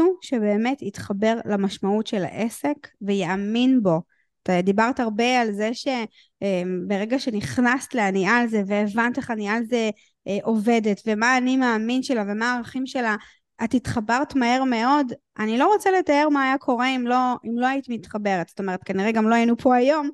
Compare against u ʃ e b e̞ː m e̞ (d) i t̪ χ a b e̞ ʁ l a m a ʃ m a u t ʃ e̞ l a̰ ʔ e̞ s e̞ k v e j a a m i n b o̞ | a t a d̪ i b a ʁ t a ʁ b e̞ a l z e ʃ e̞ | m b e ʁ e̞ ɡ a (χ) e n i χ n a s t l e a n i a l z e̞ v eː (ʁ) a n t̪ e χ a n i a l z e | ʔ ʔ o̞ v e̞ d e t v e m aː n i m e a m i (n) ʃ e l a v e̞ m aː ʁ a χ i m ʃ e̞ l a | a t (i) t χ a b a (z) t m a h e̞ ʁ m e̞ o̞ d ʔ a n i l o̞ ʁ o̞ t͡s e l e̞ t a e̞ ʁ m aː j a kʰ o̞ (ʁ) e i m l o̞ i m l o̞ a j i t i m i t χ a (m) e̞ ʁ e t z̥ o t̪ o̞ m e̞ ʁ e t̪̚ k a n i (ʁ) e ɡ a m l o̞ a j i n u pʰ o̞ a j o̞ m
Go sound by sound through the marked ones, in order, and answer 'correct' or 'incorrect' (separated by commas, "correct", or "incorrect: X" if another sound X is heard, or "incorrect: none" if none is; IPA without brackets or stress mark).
incorrect: t, incorrect: ʃ, incorrect: v, correct, correct, incorrect: ʁ, correct, incorrect: b, correct